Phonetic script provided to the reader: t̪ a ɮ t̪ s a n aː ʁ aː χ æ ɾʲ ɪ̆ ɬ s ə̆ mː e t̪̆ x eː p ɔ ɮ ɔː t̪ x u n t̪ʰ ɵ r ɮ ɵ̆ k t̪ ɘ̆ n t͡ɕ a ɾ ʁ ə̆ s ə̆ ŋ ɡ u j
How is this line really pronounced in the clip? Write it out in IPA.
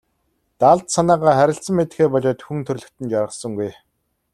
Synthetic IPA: t̪ a ɮ t̪ s a n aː ʁ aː χ æ ɾʲ ɪ̆ ɬ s ə̆ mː e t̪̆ x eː p ɔ ɮ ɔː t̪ x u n t̪ʰ ɵ r ɮ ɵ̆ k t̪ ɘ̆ n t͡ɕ a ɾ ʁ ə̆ s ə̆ ŋ ɡ u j